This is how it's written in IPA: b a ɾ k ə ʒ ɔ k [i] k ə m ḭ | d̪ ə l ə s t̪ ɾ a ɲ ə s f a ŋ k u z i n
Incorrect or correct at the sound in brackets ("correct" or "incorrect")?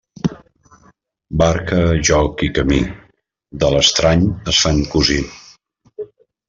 correct